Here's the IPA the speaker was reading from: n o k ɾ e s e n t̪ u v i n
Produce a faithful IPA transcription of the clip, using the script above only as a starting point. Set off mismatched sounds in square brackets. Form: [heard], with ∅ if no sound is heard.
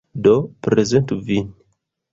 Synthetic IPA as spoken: [d] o [p] ɾ e [z] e n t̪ u v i n